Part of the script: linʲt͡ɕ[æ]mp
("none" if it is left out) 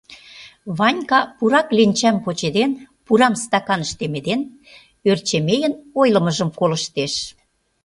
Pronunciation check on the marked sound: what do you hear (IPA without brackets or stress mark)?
æ